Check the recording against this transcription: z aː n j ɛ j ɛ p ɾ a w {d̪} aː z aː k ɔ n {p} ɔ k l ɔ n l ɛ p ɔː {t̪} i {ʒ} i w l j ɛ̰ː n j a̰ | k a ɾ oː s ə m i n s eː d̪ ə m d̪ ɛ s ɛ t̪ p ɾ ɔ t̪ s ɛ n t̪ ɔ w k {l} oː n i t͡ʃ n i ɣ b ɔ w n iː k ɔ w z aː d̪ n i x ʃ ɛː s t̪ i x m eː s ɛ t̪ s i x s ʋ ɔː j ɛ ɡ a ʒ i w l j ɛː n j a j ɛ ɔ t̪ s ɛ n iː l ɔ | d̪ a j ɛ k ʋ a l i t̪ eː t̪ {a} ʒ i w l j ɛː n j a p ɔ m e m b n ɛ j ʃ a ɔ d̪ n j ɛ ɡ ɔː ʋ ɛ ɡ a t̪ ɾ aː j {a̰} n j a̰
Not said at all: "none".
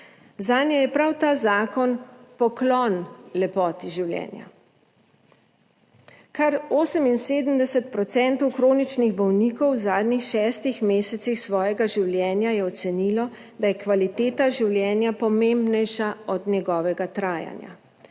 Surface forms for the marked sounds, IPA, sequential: t̪, p, t̪, ʒ, ɾ, a, a̰

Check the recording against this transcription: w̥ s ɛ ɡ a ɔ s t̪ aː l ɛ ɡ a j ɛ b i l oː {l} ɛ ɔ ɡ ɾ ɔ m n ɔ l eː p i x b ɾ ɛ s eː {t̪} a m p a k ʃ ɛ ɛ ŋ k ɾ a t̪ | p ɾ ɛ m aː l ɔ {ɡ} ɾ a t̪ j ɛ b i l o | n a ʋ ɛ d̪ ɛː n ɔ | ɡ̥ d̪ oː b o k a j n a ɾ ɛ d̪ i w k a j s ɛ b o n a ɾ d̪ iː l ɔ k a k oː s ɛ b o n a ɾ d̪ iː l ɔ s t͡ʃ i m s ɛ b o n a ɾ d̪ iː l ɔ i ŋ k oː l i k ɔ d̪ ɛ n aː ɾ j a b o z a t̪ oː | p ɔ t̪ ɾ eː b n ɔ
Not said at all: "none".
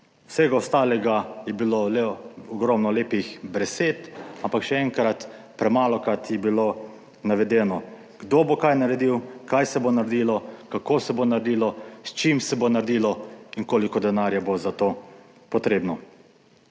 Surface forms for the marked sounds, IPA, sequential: l, t̪, k

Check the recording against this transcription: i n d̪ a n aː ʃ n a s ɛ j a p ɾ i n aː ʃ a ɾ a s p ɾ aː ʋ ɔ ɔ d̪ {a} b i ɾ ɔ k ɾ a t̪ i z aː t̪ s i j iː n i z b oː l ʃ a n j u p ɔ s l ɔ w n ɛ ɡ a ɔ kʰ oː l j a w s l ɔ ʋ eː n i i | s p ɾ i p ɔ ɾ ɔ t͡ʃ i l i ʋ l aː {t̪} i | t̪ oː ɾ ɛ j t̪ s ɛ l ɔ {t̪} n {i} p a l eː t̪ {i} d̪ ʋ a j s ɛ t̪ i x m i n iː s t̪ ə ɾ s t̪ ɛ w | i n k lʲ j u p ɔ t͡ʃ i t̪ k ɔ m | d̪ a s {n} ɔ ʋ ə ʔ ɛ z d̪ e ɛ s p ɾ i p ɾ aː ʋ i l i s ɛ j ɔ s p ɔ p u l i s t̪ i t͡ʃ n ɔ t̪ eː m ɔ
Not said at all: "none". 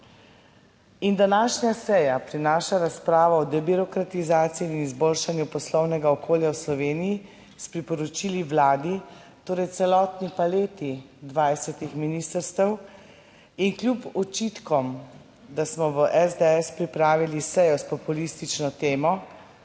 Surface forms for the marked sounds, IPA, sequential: ɛ, d̪, t̪, i, i, m

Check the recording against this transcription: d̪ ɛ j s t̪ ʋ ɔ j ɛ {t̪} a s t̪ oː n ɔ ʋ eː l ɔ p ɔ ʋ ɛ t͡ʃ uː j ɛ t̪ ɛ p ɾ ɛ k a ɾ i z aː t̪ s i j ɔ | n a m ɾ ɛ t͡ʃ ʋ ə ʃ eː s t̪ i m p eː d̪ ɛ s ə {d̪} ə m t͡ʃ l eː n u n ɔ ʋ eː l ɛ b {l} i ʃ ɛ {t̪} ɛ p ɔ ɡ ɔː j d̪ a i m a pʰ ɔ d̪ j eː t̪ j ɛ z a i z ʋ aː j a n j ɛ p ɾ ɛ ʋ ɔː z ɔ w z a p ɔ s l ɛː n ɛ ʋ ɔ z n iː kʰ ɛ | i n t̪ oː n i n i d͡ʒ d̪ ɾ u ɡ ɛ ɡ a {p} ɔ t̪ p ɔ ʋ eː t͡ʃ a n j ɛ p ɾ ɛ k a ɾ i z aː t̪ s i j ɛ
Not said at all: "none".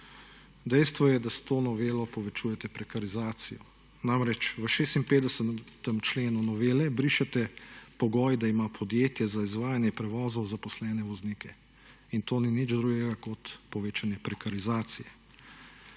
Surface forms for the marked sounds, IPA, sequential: d̪, t̪, ɾ, t̪, k

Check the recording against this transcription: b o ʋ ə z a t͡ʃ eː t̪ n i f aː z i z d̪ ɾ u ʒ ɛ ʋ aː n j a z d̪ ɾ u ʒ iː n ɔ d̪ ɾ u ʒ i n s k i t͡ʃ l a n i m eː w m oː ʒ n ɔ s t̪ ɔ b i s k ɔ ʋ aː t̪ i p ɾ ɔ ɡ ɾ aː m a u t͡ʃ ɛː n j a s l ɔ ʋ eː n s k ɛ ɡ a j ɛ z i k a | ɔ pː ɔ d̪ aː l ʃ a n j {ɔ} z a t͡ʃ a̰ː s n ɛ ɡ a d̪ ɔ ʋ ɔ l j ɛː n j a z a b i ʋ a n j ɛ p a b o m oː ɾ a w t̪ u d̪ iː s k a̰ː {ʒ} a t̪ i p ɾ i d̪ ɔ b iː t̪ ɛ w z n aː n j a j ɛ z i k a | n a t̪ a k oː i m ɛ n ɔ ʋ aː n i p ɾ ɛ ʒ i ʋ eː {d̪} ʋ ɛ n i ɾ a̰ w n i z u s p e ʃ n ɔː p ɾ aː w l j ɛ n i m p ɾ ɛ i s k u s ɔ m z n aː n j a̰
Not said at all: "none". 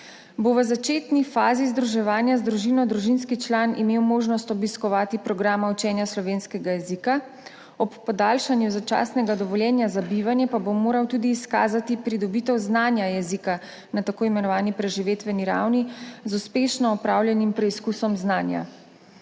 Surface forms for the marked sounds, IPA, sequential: u, z, t̪

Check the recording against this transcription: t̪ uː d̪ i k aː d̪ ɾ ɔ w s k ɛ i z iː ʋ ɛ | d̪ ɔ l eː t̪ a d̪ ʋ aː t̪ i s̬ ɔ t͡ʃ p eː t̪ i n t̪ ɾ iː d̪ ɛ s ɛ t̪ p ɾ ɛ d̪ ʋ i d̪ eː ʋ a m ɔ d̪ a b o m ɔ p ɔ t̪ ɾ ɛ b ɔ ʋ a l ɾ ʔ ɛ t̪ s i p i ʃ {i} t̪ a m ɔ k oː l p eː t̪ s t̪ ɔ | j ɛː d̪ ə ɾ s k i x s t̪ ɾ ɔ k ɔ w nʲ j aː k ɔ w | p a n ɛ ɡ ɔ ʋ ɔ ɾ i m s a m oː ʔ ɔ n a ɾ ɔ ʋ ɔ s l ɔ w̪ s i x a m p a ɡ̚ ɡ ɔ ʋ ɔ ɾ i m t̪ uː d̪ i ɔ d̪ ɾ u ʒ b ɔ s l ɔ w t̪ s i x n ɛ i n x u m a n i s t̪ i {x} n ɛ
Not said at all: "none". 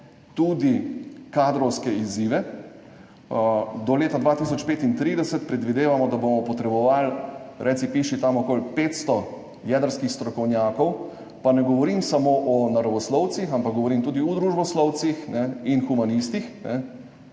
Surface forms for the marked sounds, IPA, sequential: i, x

